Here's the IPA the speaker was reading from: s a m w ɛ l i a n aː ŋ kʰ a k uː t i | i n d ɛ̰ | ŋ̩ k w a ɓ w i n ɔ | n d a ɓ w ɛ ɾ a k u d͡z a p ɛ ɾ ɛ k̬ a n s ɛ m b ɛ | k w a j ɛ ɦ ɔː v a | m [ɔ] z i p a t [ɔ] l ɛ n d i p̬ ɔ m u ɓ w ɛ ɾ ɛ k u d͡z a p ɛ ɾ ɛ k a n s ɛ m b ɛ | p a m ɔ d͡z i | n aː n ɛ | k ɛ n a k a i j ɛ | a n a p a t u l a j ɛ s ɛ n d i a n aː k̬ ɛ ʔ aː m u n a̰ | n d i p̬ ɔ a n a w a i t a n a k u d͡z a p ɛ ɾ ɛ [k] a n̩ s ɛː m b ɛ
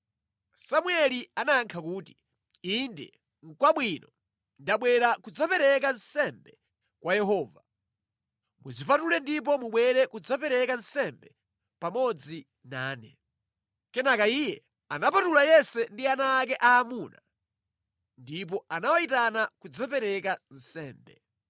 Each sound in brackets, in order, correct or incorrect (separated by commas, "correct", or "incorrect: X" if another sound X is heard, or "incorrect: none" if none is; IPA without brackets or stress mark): incorrect: u, incorrect: u, correct